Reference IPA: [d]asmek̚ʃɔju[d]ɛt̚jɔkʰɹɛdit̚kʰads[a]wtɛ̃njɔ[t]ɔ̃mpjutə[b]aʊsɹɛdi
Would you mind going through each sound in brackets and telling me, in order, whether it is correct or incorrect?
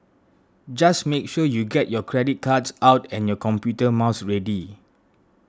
incorrect, incorrect, correct, incorrect, incorrect

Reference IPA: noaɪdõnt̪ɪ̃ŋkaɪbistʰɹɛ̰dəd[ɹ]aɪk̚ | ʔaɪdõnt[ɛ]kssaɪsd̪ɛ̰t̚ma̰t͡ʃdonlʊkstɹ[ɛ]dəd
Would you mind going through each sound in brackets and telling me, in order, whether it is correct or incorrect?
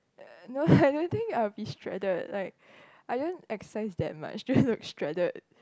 incorrect, correct, correct

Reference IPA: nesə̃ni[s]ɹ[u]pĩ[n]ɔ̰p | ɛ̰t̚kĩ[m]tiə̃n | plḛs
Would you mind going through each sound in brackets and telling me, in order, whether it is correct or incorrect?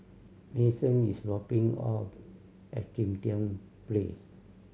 correct, incorrect, incorrect, correct

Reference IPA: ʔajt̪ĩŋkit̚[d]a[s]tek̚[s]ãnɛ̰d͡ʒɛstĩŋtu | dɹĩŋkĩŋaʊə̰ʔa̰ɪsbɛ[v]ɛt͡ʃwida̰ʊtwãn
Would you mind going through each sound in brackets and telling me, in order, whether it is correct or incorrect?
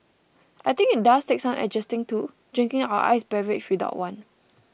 correct, correct, correct, correct

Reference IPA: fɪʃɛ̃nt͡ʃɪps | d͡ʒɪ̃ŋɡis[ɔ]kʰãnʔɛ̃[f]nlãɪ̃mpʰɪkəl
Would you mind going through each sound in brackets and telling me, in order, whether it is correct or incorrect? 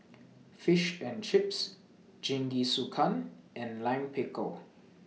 incorrect, incorrect

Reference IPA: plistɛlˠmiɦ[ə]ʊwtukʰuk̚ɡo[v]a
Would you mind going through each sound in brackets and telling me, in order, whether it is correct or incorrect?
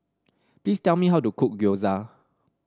incorrect, incorrect

